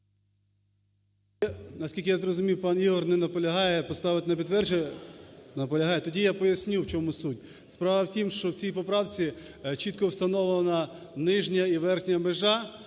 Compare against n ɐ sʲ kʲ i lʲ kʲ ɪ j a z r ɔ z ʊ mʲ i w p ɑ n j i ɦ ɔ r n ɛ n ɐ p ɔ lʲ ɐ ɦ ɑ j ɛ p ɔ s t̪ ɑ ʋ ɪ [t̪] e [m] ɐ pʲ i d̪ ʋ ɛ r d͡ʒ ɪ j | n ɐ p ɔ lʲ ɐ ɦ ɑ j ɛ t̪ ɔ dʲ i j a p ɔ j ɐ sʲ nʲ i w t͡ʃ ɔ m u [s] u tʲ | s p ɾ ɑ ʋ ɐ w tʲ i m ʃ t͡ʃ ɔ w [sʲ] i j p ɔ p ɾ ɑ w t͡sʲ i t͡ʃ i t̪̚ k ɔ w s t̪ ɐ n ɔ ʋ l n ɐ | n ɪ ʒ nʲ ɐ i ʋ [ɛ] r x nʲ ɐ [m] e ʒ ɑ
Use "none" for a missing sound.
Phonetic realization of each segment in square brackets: t̪, n, s, t͡sʲ, ɛ, m

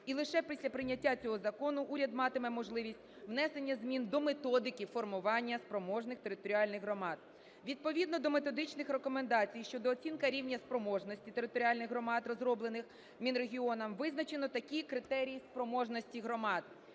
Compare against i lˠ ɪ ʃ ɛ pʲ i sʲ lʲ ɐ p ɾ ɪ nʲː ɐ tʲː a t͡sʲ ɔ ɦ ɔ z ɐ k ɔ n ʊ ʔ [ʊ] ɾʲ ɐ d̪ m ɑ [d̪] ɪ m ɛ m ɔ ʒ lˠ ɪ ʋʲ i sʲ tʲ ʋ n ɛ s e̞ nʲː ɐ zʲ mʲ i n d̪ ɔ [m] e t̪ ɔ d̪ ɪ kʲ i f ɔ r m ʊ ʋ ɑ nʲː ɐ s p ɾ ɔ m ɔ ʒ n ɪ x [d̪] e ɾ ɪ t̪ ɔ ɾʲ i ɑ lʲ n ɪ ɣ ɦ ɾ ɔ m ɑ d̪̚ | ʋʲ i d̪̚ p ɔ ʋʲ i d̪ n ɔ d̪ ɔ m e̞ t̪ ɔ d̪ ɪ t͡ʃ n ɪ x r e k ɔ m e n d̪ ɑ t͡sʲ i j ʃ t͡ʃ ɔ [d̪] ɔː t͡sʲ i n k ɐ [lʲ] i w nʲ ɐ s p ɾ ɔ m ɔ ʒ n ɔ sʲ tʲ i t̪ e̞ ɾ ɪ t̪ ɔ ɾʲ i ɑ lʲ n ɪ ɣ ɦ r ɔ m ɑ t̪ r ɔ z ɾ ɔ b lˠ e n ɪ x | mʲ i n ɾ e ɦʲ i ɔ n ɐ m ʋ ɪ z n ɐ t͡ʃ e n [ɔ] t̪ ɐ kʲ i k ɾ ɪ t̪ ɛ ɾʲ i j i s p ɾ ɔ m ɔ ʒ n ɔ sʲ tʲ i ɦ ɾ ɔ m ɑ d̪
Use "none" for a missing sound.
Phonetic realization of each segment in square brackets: u, t̪, m, t̪, d̪, ɾʲ, ɔ

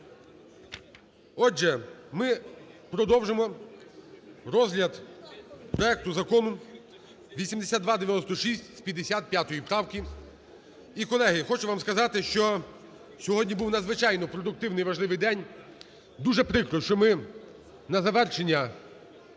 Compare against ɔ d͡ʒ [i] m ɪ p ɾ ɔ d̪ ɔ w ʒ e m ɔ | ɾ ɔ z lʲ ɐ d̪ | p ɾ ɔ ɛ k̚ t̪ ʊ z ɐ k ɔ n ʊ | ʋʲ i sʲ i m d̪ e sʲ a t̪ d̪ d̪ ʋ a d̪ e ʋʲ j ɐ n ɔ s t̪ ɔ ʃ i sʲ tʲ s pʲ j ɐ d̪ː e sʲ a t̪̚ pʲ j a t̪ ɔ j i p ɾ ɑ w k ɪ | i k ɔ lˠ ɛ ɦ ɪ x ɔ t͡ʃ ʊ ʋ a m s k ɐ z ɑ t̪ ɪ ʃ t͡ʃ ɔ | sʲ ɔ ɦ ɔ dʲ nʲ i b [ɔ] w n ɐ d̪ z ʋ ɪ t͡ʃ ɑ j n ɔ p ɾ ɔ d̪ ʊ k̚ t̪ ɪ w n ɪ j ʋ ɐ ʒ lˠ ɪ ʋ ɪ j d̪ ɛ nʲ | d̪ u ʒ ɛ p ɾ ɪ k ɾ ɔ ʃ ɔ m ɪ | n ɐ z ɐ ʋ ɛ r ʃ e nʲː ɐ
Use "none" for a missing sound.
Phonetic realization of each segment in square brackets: ɛ, u

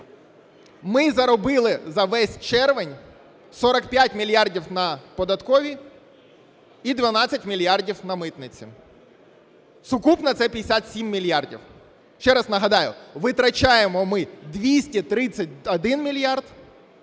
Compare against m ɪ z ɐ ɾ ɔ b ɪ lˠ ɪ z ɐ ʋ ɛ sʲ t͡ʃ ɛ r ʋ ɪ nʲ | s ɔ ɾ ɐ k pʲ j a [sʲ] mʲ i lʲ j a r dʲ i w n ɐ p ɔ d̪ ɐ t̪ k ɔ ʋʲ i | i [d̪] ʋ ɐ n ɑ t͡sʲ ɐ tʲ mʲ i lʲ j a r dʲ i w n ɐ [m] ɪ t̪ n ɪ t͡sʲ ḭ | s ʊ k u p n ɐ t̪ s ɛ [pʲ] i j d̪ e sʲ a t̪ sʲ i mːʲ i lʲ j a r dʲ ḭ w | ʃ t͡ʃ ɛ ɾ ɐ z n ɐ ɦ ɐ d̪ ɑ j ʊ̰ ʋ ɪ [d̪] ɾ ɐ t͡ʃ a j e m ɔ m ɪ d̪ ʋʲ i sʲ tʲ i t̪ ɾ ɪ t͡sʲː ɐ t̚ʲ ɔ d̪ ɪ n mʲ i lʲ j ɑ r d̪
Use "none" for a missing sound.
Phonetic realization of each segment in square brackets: tʲ, d̪, m, pʲ, t̪

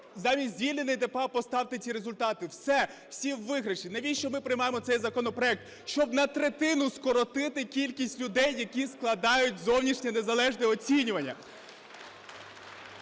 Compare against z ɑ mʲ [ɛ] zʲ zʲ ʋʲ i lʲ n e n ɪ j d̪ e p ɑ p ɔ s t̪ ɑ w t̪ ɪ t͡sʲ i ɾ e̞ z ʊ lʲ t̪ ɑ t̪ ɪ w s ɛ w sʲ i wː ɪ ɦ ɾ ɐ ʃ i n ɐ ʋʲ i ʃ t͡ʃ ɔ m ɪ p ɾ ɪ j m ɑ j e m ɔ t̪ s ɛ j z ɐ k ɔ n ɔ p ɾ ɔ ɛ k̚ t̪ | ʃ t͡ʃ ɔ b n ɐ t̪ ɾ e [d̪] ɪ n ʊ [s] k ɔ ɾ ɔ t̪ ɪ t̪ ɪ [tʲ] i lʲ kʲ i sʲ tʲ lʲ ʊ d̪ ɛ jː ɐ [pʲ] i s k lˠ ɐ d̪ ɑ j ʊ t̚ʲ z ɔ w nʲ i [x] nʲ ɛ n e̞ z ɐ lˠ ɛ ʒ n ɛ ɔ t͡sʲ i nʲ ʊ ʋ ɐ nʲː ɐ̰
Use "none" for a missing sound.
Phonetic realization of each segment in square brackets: i, t̪, s, kʲ, kʲ, ʃ

